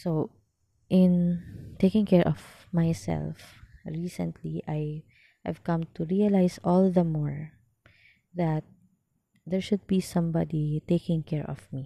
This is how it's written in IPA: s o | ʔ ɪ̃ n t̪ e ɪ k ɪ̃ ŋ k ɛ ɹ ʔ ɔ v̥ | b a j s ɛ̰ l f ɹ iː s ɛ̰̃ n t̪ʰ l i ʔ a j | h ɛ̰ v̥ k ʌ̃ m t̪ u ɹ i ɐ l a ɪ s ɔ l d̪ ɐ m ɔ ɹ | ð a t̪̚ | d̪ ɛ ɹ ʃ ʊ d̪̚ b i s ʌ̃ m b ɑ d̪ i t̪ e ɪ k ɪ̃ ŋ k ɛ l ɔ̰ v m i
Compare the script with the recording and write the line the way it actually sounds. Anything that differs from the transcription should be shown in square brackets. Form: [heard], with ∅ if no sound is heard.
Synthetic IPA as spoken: s o | ʔ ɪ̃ n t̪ e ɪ k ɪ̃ ŋ k ɛ ɹ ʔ ɔ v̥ | [m] a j s ɛ̰ l f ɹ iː s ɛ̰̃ n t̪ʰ l i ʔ a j | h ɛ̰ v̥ k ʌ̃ m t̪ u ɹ i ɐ l a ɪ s ɔ l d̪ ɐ m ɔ ɹ | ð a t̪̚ | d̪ ɛ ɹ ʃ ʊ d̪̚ b i s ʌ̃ m b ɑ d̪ i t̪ e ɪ k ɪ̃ ŋ k ɛ [ɹ] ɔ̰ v m i